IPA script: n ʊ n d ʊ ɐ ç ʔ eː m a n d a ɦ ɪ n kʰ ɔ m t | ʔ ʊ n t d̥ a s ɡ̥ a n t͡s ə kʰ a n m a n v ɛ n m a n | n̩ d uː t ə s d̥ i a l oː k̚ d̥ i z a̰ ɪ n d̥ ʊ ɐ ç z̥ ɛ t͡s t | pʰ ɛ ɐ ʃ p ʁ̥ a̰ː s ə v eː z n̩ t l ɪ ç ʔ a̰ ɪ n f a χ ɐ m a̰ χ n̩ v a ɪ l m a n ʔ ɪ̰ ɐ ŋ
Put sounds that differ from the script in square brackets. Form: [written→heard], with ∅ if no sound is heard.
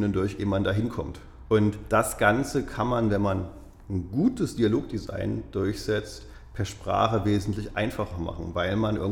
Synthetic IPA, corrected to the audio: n ʊ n d ʊ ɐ ç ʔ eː m a n d a ɦ ɪ n kʰ ɔ m t | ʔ ʊ n t d̥ a s ɡ̥ a n t͡s ə kʰ a n m a n v ɛ n m a n | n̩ [d→ɡ] uː t ə s d̥ i a l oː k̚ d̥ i z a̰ ɪ n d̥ ʊ ɐ ç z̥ ɛ t͡s t | pʰ ɛ ɐ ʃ p ʁ̥ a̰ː [s→χ] ə v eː z n̩ t l ɪ ç ʔ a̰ ɪ n f a χ ɐ m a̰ χ n̩ v a ɪ l m a n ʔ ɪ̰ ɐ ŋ